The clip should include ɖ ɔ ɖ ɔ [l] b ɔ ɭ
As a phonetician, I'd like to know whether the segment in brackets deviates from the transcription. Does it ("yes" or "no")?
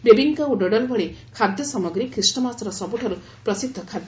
no